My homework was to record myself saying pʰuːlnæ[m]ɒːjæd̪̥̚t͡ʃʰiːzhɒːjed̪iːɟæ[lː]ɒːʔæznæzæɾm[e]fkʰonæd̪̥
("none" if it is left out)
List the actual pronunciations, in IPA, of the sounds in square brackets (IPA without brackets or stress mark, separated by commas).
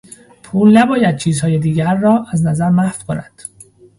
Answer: b, ɾː, æ